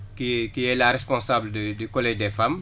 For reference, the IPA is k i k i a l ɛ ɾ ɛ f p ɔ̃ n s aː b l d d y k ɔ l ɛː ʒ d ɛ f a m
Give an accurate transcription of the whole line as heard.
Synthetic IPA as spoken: k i k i ɛ l a ɾ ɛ s p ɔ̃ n s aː b l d d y k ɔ l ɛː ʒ d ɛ f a m